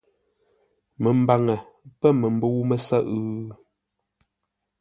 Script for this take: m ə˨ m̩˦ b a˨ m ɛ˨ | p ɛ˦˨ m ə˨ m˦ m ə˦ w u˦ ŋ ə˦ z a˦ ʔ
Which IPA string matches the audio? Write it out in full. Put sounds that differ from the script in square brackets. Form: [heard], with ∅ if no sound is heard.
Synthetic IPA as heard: m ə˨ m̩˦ b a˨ [ŋ] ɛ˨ | p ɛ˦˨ m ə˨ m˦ [b] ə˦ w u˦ [m] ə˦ [s] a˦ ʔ